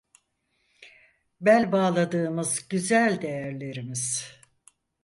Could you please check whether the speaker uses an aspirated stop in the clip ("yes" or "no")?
no